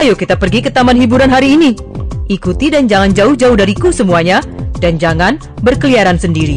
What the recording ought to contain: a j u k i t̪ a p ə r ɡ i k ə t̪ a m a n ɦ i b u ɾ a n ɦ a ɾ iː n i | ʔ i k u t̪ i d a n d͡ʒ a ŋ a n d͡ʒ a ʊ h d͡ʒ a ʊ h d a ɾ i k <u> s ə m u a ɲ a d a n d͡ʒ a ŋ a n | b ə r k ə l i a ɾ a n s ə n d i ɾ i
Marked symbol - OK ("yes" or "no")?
yes